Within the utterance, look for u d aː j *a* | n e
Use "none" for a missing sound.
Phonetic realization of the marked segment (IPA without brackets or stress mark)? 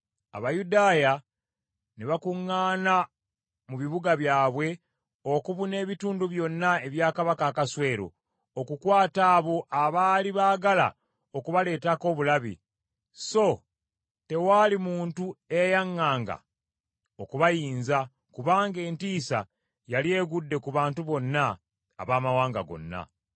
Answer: a